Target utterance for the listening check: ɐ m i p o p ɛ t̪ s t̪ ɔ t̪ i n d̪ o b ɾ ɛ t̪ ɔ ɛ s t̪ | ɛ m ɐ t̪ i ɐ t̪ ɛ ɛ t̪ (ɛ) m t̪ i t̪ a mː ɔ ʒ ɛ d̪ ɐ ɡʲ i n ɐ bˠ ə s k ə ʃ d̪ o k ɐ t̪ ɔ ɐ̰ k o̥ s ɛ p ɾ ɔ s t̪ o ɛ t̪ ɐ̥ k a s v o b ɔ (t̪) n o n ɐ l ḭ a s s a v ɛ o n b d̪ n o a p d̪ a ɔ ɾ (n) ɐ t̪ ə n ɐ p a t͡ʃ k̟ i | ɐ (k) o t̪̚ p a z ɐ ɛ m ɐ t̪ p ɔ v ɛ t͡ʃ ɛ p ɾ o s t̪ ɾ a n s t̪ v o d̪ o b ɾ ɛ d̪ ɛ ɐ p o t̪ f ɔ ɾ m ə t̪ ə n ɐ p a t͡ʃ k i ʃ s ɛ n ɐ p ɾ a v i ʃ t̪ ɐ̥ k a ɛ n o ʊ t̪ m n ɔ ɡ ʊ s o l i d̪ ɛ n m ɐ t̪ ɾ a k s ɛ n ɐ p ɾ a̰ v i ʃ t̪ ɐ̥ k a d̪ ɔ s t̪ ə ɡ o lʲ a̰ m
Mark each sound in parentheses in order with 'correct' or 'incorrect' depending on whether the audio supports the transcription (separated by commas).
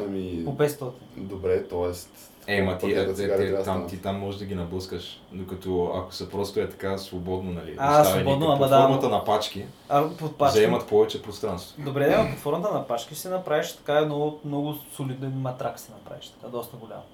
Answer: incorrect, incorrect, incorrect, incorrect